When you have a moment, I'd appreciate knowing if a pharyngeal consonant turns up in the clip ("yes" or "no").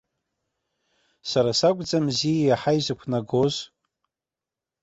yes